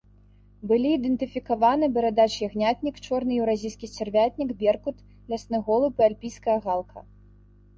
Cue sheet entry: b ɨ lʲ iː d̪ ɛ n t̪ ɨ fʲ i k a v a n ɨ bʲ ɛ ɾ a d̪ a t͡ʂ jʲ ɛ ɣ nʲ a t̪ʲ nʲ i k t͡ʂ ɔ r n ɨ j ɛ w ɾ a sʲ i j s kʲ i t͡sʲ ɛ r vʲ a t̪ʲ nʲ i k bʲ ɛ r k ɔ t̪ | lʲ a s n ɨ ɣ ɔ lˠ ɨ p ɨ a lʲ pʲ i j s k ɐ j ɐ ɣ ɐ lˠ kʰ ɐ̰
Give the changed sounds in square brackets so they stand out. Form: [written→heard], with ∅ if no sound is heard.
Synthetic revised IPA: b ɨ lʲ iː d̪ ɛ n t̪ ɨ fʲ i k a v a n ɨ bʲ ɛ ɾ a d̪ a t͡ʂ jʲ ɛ ɣ nʲ a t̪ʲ nʲ i k t͡ʂ ɔ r n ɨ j ɛ w ɾ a [sʲ→zʲ] i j s kʲ i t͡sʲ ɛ r vʲ a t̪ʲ nʲ i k bʲ ɛ r k [ɔ→u] t̪ | lʲ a s n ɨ ɣ ɔ lˠ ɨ p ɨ a lʲ pʲ i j s k ɐ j ɐ ɣ [ɐ→a] lˠ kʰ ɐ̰

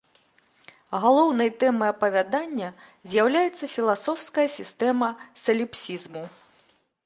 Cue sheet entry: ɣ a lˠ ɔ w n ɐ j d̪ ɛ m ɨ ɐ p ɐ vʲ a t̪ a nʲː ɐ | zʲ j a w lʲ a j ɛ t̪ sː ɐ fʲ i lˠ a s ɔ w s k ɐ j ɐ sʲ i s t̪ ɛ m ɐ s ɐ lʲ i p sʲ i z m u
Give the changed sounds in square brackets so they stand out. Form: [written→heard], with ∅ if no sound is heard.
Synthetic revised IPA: ɣ a lˠ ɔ w n ɐ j [d̪→t̪] ɛ m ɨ ɐ p ɐ vʲ a [t̪→d̪] a nʲː ɐ | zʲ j a w lʲ a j ɛ t̪ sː ɐ fʲ i lˠ a s ɔ w s k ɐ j ɐ sʲ i s t̪ ɛ m ɐ s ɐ lʲ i p sʲ i z m u

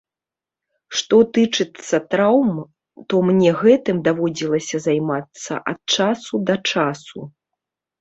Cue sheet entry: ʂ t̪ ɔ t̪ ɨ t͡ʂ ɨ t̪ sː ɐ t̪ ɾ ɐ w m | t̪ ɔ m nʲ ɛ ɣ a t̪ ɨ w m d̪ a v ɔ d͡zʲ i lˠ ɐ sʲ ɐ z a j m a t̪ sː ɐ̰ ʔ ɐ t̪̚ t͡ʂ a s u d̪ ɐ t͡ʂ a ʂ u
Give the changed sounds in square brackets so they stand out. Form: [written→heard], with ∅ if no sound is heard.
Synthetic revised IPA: ʂ t̪ ɔ t̪ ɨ t͡ʂ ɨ t̪ sː ɐ t̪ ɾ [ɐ→a] w m | t̪ ɔ m nʲ ɛ ɣ [a→ɛ] t̪ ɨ [w→∅] m d̪ a v ɔ d͡zʲ i lˠ ɐ sʲ ɐ z a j m a t̪ sː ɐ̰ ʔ ɐ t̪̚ t͡ʂ a s u d̪ ɐ t͡ʂ a [ʂ→s] u

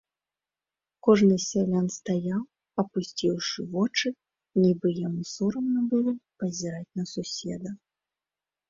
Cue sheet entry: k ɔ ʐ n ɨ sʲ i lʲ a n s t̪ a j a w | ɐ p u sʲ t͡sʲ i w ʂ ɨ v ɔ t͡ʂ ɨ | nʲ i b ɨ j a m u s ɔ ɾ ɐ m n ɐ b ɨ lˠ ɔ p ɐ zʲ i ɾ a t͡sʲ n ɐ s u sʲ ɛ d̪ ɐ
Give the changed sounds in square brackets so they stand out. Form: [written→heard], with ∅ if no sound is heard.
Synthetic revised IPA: k ɔ ʐ n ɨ sʲ [i→a] lʲ a n s t̪ a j a w | ɐ p u sʲ t͡sʲ i w ʂ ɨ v ɔ t͡ʂ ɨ | nʲ i b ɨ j a m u s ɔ ɾ ɐ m n ɐ b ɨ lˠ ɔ p ɐ zʲ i ɾ a t͡sʲ n ɐ s u sʲ ɛ d̪ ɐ

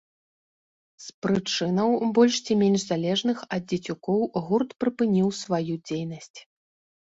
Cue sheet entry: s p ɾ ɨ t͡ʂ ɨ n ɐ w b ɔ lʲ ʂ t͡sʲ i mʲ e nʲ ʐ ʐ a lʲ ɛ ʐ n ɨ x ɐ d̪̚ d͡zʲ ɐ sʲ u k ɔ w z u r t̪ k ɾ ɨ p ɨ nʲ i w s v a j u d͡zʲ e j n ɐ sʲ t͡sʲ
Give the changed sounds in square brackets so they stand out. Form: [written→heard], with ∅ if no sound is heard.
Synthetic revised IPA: s p ɾ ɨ t͡ʂ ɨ n ɐ w b ɔ lʲ ʂ t͡sʲ i mʲ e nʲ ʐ [ʐ→z] a lʲ ɛ ʐ n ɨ x ɐ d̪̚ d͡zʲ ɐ [sʲ→t͡sʲ] u k ɔ w [z→ɣ] u r t̪ [k→p] ɾ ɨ p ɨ nʲ i w s v a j u d͡zʲ e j n ɐ sʲ t͡sʲ

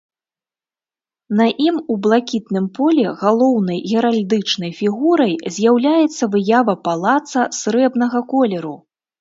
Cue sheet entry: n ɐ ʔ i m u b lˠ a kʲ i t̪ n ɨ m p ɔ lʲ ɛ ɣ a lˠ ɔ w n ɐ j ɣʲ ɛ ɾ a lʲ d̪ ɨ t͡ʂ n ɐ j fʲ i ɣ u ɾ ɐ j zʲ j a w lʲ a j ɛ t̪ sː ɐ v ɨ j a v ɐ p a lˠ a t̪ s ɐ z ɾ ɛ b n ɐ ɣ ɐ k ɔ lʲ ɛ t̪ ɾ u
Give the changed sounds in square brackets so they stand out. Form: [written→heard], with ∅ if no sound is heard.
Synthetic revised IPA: n ɐ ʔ i m u b lˠ a kʲ i t̪ n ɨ m p ɔ lʲ ɛ ɣ a lˠ ɔ w n ɐ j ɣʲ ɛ ɾ a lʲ d̪ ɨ t͡ʂ n ɐ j fʲ i ɣ u ɾ ɐ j zʲ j a w lʲ a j ɛ t̪ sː ɐ v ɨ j a v ɐ p a lˠ a t̪ s ɐ [z→s] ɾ ɛ b n ɐ ɣ ɐ k ɔ lʲ ɛ [t̪→∅] ɾ u

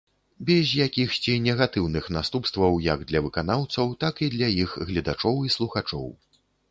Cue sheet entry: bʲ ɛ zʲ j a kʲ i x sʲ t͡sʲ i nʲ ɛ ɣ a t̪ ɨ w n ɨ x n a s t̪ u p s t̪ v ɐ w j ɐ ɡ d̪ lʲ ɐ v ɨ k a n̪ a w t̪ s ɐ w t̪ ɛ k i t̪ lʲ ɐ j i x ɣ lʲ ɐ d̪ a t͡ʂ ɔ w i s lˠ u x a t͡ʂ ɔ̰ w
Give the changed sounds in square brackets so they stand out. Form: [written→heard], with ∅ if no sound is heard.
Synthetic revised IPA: bʲ ɛ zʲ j a kʲ i x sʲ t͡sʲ i nʲ ɛ ɣ a t̪ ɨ w n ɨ x n a s t̪ u p s t̪ v ɐ w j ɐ ɡ d̪ lʲ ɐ v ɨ k a n̪ a w t̪ s ɐ w t̪ [ɛ→a] k i [t̪→d̪] lʲ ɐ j i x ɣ lʲ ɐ d̪ a t͡ʂ ɔ w i s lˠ u x a t͡ʂ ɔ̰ w

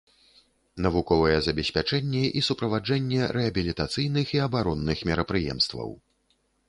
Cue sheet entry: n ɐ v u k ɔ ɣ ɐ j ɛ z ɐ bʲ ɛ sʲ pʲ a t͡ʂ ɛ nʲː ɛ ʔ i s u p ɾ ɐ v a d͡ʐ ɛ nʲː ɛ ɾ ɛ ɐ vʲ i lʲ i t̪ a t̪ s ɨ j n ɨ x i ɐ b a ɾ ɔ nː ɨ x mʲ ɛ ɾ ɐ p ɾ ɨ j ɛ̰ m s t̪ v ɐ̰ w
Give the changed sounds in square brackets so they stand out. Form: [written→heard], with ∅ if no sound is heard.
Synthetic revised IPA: n ɐ v u k ɔ [ɣ→v] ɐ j ɛ z ɐ bʲ ɛ sʲ pʲ a t͡ʂ ɛ nʲː ɛ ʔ i s u p ɾ ɐ v a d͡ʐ ɛ nʲː ɛ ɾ ɛ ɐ [vʲ→bʲ] i lʲ i t̪ a t̪ s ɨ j n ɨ x i ɐ b a ɾ ɔ nː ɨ x mʲ ɛ ɾ ɐ p ɾ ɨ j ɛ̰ m s t̪ v ɐ̰ w

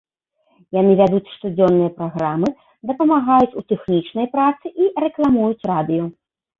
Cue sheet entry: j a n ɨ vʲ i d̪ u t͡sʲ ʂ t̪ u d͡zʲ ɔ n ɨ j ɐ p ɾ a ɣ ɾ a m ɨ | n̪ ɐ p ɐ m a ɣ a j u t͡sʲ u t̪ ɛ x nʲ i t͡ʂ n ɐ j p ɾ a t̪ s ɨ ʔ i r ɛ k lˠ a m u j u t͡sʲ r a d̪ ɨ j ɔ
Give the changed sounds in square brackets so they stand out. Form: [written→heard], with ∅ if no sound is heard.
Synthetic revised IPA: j a n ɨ vʲ [i→a] d̪ u t͡sʲ ʂ t̪ u d͡zʲ ɔ [n→nː] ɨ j ɐ p ɾ a ɣ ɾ a m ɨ | [n̪→d̪] ɐ p ɐ m a ɣ a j u t͡sʲ u t̪ ɛ x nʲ i t͡ʂ n ɐ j p ɾ a t̪ s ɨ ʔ i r ɛ k lˠ a m u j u t͡sʲ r a d̪ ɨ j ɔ

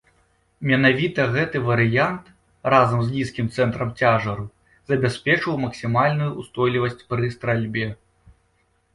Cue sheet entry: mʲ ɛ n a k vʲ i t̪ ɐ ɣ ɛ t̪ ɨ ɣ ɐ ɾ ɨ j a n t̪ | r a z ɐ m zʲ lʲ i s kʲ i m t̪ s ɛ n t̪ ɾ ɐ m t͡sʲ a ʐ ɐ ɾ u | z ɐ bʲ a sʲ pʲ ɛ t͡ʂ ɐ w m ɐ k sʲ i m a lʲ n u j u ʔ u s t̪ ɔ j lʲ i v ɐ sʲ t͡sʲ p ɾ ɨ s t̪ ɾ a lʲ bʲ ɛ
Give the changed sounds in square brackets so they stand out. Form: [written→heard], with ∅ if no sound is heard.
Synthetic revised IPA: mʲ ɛ n a [k→∅] vʲ i t̪ ɐ ɣ ɛ t̪ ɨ [ɣ→v] ɐ ɾ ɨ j a n t̪ | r a z ɐ m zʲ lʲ i s kʲ i m t̪ s ɛ n t̪ ɾ ɐ m t͡sʲ a ʐ ɐ ɾ u | z ɐ bʲ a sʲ pʲ ɛ t͡ʂ ɐ w m ɐ k sʲ i m a lʲ n u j u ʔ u s t̪ ɔ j lʲ i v ɐ sʲ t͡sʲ p ɾ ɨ s t̪ ɾ a lʲ bʲ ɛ

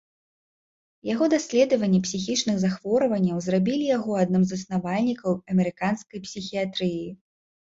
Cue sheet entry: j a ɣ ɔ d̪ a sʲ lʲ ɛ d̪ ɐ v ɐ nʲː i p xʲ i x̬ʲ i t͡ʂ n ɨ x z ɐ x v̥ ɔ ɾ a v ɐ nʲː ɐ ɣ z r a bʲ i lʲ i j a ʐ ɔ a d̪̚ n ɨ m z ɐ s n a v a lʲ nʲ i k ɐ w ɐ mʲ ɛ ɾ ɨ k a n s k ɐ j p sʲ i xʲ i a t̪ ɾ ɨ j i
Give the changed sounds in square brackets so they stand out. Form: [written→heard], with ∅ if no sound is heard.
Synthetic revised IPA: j a ɣ ɔ d̪ a sʲ lʲ ɛ d̪ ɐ v ɐ nʲː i p [xʲ→sʲ] i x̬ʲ i t͡ʂ n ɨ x z [ɐ→a] x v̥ ɔ ɾ [a→ɐ] v ɐ nʲː ɐ [ɣ→w] z r a bʲ i lʲ i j a [ʐ→ɣ] ɔ a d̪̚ n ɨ m z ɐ s n a v a lʲ nʲ i k ɐ w ɐ mʲ ɛ ɾ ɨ k a n s k ɐ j p sʲ i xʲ i a t̪ ɾ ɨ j i

